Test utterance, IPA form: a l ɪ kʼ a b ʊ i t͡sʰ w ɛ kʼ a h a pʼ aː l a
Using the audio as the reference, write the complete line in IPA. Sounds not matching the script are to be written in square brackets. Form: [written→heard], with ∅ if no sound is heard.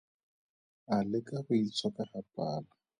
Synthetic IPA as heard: a l ɪ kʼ a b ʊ i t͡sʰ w [ɛ→a] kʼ a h a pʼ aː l a